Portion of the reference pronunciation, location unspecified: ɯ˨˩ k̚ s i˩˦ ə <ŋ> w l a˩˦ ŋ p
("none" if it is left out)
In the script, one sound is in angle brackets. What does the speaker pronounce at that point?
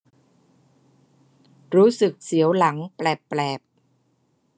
none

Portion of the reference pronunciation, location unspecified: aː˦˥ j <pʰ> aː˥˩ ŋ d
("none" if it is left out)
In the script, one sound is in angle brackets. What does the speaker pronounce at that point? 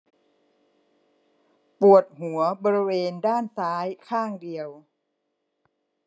kʰ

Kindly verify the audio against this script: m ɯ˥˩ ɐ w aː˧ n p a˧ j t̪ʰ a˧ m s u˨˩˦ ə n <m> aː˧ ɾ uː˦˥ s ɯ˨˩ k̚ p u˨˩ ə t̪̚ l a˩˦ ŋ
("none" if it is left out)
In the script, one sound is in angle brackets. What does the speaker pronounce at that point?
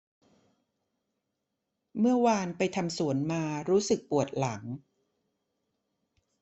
m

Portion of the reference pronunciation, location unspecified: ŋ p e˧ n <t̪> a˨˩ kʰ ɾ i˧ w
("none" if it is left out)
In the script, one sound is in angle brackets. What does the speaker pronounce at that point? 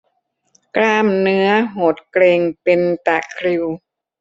t̪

